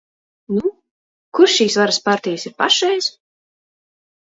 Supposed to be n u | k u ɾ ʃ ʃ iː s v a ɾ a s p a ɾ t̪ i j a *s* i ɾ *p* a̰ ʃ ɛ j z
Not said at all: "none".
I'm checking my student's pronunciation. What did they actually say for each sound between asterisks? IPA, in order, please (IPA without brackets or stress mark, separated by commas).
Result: s, p